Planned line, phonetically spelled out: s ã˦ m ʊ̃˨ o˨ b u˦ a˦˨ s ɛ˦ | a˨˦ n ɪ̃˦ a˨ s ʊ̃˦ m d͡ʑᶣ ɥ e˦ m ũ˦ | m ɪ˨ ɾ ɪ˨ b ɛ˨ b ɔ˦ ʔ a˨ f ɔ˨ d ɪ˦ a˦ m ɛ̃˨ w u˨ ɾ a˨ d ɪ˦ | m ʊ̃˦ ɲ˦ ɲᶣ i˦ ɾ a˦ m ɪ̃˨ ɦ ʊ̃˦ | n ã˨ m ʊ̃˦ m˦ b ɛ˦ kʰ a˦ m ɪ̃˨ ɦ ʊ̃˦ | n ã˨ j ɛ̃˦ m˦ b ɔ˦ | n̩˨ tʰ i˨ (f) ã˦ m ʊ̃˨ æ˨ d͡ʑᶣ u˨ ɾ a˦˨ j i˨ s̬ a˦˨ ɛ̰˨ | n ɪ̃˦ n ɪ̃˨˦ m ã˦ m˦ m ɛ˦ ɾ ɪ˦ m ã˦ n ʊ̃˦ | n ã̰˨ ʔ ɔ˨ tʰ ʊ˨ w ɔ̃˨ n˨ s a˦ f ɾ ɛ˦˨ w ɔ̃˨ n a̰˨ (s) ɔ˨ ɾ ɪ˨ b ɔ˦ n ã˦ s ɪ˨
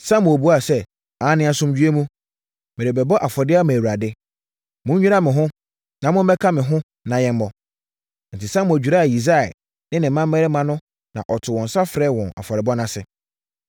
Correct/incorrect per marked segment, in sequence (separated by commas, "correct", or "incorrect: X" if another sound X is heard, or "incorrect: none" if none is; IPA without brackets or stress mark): incorrect: s, incorrect: f